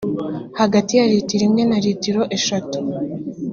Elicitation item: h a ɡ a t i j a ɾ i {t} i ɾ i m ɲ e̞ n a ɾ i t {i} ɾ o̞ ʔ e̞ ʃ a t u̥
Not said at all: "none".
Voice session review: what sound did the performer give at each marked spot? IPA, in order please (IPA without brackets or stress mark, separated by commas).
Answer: t, i